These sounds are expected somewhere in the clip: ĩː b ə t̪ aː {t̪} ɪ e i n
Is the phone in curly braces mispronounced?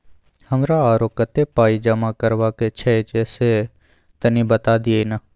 yes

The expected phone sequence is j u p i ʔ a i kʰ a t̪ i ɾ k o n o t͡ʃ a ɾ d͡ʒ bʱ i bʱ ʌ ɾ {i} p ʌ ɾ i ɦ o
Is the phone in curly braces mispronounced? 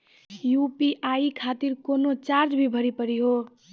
no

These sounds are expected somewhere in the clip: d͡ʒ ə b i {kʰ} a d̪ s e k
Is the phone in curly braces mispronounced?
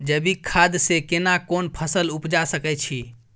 no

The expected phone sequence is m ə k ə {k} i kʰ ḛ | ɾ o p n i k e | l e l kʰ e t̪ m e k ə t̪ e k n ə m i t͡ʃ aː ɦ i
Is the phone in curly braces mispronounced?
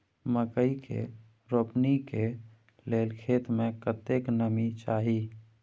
yes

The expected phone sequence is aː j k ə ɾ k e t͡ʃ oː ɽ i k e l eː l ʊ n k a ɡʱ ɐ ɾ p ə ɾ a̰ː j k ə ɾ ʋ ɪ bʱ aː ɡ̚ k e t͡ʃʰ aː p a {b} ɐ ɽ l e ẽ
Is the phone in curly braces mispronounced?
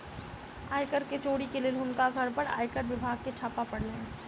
yes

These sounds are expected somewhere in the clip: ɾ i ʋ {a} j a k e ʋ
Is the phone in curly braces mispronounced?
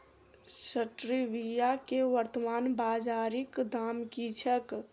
yes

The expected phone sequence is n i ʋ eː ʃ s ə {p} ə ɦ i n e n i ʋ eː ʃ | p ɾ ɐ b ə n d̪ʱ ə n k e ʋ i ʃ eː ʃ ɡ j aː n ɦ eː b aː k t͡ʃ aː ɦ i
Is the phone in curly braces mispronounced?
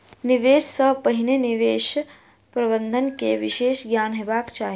no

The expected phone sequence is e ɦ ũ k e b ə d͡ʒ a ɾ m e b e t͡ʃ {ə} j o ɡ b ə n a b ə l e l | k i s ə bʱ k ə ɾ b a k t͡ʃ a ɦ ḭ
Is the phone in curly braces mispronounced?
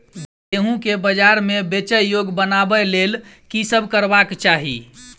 no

